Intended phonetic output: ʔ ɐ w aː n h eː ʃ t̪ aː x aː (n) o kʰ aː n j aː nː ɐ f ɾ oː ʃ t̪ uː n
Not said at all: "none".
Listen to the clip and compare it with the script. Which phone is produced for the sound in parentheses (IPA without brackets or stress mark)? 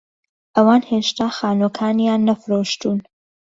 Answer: n